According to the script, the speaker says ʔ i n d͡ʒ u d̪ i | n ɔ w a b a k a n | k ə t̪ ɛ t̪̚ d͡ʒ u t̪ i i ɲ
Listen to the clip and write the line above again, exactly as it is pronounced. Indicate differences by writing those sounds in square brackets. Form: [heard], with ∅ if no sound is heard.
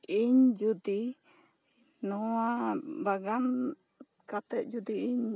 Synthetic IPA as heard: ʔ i [ɲ] d͡ʒ u d̪ i | n ɔ w a b a [ɡ] a n | k [a] t̪ ɛ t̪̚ d͡ʒ u [d̪] i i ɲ